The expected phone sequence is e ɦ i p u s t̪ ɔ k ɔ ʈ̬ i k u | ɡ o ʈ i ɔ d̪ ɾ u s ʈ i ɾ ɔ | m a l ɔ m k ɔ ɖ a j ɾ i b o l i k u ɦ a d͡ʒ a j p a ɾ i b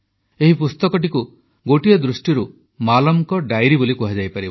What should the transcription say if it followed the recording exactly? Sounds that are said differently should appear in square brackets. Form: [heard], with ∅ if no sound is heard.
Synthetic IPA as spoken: e ɦ i p u s t̪ ɔ k ɔ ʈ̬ i k u | ɡ o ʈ i ɔ d̪ ɾ u s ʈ i ɾ [u] | m a l ɔ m k ɔ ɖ a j ɾ i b o l i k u ɦ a d͡ʒ a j p a ɾ i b